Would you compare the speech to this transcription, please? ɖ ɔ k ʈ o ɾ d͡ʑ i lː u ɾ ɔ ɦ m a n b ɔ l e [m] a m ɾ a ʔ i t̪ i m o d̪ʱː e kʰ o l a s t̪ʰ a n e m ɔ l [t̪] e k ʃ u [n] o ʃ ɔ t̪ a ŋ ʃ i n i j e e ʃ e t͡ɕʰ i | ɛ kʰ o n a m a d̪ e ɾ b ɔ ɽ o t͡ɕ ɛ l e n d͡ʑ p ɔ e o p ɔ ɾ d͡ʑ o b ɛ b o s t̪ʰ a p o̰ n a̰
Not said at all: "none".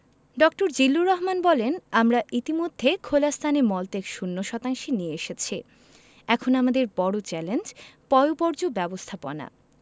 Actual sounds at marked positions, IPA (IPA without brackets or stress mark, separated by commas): n, t̪, nː